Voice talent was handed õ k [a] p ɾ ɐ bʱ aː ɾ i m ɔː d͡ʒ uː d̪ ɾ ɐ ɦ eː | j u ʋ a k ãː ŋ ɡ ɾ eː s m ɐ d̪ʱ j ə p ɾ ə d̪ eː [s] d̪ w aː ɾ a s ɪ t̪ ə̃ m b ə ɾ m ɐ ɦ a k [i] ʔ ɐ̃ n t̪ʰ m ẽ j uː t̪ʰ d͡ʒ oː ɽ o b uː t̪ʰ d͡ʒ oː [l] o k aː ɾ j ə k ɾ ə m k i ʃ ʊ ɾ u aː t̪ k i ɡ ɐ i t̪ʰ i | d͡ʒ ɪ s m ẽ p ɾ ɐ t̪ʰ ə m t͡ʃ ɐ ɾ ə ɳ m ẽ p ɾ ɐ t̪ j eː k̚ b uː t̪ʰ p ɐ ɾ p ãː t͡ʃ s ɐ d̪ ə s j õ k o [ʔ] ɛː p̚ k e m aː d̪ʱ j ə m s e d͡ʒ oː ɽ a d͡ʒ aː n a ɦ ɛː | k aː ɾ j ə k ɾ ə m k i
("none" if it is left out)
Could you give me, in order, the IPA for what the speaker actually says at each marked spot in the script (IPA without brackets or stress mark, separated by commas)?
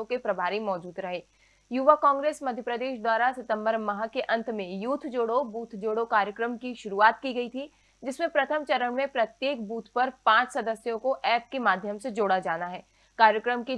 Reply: e, ʃ, e, ɽ, ʔ